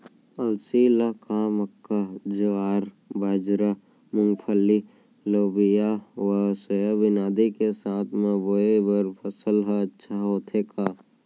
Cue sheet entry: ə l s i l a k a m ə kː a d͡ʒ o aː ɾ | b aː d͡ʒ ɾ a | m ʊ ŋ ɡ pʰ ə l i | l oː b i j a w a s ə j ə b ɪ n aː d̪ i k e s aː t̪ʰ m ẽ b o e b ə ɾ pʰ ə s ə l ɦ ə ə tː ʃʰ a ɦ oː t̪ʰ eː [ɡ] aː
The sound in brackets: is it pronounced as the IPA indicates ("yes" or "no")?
no